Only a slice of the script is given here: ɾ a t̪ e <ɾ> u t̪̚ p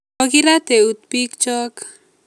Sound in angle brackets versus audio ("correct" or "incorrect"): incorrect